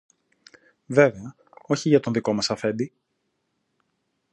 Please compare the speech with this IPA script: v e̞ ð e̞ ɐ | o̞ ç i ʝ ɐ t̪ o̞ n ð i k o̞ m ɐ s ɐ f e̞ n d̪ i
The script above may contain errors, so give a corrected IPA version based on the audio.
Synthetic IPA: v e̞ v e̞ ɐ | o̞ ç i ʝ ɐ t̪ o̞ n ð i k o̞ m ɐ s ɐ f e̞ n d̪ i